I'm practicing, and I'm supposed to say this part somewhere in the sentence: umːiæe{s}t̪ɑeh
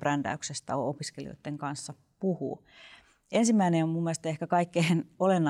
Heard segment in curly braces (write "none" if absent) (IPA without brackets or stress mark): s